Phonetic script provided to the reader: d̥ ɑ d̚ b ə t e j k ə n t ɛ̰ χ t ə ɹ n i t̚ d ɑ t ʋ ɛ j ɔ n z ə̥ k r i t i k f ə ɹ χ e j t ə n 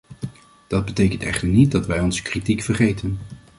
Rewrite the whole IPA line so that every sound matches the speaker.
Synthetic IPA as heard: d̥ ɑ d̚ b ə t e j k ə n t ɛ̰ χ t ə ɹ n i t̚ d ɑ t ʋ ɛ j ɔ n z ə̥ k r i t i k f ə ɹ χ e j t ə n